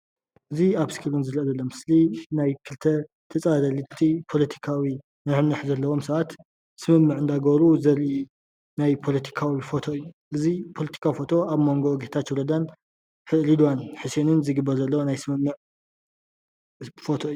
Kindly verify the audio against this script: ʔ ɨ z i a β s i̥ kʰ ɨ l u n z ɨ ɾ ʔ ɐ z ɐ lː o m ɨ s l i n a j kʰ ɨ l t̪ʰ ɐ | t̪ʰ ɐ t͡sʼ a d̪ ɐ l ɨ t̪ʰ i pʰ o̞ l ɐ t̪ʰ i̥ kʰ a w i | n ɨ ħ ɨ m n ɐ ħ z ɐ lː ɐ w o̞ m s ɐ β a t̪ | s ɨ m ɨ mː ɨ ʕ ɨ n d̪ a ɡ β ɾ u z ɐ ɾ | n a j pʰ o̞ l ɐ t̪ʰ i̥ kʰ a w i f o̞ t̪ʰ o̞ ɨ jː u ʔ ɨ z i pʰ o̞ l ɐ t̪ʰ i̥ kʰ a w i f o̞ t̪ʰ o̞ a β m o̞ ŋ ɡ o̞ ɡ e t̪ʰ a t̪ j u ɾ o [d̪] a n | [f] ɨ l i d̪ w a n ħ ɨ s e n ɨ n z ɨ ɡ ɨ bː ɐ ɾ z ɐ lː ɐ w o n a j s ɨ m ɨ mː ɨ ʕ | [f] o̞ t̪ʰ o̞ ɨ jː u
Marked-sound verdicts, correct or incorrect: correct, incorrect, correct

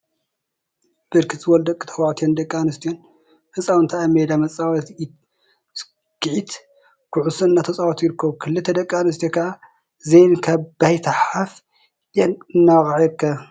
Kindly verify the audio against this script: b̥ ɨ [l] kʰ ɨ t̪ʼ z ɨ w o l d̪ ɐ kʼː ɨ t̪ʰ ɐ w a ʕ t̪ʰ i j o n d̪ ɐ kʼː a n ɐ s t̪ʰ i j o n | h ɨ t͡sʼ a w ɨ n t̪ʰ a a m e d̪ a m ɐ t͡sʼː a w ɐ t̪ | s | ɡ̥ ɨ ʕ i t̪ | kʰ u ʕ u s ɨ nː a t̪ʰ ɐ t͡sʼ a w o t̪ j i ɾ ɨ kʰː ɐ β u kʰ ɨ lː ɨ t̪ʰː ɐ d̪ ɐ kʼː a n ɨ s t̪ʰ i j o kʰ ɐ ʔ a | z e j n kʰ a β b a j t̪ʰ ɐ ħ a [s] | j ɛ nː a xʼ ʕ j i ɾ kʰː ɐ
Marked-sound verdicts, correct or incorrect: incorrect, incorrect

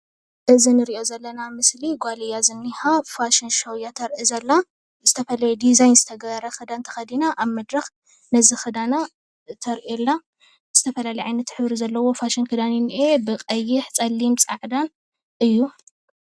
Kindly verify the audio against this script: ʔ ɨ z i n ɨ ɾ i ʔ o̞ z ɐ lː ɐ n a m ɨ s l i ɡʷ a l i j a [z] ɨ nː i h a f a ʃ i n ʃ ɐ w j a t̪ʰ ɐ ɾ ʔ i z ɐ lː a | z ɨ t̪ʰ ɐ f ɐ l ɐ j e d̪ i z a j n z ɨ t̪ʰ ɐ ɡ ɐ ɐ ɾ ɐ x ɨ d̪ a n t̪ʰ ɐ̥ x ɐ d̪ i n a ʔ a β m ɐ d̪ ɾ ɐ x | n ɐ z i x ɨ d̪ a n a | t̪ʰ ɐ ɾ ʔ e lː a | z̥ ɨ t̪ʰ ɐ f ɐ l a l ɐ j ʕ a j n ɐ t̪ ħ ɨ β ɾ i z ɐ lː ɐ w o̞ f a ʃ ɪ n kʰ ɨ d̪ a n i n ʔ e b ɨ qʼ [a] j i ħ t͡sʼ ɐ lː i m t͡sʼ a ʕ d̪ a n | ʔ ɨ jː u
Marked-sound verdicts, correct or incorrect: correct, incorrect

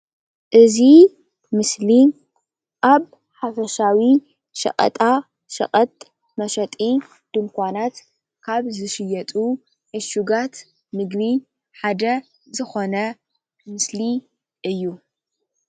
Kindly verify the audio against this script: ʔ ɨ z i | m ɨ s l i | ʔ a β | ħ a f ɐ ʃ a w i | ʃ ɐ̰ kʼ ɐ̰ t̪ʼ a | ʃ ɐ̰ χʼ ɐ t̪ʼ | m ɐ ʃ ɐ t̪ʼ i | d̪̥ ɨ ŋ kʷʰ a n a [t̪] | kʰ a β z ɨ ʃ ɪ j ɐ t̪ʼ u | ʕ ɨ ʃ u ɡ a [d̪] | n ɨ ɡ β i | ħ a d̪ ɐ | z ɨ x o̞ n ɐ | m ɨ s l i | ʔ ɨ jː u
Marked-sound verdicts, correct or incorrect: correct, incorrect

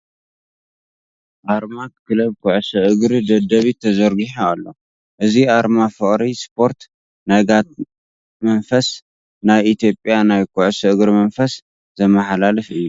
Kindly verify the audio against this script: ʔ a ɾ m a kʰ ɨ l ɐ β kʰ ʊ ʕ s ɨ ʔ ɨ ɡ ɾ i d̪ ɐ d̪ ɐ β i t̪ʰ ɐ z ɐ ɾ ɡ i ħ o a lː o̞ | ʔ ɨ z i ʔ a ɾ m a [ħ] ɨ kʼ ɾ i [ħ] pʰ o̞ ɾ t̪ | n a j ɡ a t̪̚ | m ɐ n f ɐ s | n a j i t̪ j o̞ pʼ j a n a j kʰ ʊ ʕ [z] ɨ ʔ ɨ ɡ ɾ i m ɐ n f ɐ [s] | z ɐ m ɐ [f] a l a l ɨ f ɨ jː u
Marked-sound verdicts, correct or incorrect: incorrect, incorrect, incorrect, correct, incorrect

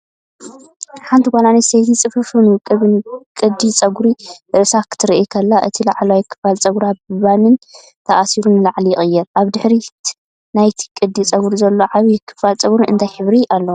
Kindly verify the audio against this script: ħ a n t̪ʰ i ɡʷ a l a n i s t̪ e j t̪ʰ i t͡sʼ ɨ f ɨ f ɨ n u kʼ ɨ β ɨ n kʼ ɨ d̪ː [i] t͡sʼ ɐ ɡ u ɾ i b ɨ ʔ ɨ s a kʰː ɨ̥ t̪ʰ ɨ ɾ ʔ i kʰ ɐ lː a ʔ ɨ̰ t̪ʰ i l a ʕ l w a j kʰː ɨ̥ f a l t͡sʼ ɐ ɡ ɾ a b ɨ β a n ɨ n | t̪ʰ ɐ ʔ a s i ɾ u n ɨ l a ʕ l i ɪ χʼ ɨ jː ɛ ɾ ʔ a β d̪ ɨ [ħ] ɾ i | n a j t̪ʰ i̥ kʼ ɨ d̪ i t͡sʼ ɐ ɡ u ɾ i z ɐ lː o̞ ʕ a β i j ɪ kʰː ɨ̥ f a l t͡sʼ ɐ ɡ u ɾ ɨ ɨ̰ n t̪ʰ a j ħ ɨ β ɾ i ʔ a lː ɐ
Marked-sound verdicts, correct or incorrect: correct, correct

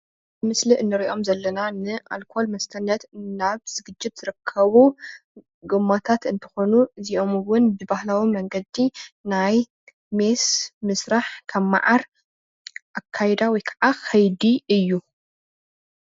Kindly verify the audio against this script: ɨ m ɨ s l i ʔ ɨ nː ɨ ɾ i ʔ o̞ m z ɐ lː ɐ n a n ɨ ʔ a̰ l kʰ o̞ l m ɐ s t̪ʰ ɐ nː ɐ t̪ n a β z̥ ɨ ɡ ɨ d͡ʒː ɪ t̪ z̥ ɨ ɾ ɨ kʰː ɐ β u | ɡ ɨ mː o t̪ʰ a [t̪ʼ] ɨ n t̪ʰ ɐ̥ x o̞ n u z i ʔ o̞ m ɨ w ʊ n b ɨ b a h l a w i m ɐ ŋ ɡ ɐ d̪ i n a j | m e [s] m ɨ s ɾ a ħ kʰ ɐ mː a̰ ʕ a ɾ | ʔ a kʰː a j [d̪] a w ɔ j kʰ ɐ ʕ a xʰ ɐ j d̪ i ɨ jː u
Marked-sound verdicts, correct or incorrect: incorrect, correct, correct

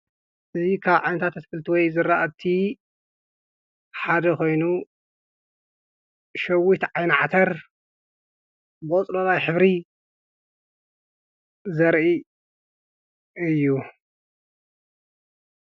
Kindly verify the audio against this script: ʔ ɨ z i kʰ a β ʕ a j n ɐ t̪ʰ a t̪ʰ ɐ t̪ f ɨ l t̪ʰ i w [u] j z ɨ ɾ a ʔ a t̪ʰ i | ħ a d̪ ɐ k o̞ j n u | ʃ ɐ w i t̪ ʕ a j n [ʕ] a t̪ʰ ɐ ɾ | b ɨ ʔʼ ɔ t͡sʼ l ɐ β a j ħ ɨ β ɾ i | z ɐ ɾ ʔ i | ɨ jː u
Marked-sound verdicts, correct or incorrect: incorrect, correct

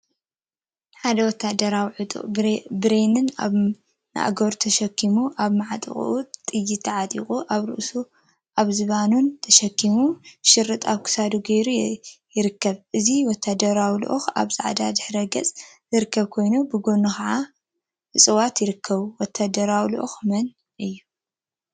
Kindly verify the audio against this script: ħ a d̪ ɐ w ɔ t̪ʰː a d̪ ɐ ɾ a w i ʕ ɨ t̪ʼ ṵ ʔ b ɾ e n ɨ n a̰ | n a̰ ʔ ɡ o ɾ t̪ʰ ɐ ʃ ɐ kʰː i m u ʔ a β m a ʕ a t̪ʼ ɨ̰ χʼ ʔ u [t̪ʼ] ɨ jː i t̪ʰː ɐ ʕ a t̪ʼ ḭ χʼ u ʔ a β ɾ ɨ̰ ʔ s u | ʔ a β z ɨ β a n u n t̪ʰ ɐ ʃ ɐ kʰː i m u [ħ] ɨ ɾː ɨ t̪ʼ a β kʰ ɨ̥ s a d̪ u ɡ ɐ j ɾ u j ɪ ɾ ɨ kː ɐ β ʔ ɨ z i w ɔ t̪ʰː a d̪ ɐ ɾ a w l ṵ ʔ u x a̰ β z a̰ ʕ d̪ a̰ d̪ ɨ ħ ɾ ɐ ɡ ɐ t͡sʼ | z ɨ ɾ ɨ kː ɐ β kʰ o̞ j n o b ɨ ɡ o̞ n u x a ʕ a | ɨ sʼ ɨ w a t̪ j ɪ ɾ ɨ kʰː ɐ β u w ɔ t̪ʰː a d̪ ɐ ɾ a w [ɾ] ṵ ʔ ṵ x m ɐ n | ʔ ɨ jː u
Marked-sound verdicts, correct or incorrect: correct, incorrect, incorrect

